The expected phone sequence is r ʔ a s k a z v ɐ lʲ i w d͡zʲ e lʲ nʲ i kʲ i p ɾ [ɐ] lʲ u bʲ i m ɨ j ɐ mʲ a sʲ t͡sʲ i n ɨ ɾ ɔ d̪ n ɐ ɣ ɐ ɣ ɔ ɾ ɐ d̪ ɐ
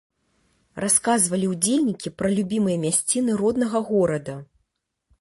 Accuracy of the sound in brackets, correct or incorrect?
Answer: correct